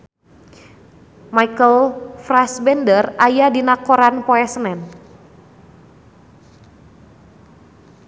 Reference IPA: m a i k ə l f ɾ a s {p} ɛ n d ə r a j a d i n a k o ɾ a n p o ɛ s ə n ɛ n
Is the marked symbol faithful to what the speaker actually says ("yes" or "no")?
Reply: no